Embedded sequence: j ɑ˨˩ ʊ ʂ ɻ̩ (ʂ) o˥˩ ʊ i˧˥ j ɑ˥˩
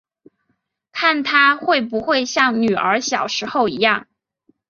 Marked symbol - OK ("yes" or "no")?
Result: no